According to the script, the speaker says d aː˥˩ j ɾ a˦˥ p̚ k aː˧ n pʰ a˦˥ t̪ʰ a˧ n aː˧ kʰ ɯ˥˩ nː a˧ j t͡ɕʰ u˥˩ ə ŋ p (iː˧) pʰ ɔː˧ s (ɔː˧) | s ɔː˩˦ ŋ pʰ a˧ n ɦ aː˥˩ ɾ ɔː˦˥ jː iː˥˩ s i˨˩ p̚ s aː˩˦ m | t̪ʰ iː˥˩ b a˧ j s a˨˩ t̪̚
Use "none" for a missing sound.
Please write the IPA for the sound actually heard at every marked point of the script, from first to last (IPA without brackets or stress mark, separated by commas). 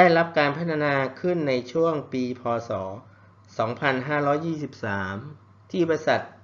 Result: iː˧, ɔː˩˦